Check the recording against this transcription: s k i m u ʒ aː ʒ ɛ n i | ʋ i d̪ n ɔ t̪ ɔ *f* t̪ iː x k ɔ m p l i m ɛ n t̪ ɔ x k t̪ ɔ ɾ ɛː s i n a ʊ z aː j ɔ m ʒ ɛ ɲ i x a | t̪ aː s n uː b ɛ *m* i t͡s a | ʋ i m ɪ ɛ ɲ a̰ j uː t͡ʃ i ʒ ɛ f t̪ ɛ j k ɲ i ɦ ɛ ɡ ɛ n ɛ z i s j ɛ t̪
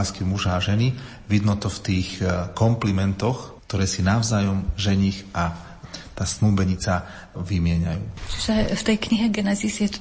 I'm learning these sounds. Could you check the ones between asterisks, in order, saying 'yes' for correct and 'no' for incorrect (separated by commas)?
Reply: yes, no